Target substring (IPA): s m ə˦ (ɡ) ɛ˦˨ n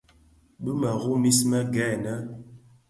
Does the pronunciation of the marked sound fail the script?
no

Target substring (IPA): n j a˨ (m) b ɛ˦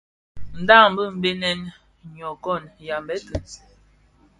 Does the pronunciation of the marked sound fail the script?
no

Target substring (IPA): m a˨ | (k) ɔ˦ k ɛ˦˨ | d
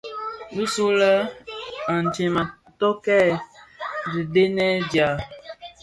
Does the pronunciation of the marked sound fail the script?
yes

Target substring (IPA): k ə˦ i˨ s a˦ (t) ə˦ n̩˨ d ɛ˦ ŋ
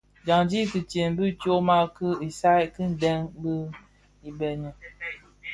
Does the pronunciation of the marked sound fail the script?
yes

